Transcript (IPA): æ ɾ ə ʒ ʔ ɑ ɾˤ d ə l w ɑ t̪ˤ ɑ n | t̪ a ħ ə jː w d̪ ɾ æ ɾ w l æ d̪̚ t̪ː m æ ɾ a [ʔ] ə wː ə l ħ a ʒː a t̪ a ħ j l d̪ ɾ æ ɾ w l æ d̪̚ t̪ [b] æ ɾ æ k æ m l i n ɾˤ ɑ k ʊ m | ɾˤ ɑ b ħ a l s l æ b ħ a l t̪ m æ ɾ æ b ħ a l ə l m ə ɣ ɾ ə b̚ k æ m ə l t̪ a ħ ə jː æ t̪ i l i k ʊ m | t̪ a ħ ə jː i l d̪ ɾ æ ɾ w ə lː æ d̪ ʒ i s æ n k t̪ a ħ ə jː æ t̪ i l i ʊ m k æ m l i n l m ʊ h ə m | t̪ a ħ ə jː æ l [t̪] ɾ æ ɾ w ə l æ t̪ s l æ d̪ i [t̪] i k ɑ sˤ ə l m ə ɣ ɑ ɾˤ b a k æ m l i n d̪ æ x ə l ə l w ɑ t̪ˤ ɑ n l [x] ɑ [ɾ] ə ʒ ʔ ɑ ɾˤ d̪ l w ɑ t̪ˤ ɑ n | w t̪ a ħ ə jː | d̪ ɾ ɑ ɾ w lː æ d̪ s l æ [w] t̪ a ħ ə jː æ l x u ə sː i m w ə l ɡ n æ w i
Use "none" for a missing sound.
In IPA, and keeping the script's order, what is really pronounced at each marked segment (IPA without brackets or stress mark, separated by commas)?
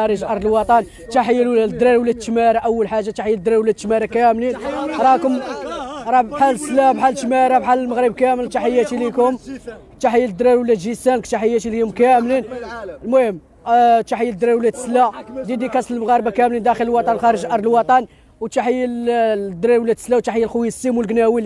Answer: ʔ, m, d̪, d̪, x, ɾ, w